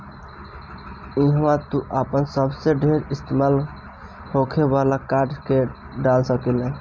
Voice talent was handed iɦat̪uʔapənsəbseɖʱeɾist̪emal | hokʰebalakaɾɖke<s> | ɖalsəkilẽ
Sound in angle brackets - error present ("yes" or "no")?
yes